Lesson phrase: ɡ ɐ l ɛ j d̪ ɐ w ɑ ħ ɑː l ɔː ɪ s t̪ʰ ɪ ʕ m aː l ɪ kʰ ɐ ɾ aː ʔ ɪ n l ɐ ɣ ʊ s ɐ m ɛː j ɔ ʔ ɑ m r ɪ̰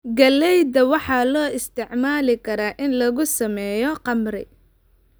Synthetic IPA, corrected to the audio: ɡ ɐ l ɛ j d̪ ɐ w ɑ ħ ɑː l ɔː ɪ s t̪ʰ ɪ ʕ m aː l ɪ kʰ ɐ ɾ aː ʔ ɪ n l ɐ ɣ ʊ s ɐ m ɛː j ɔ q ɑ m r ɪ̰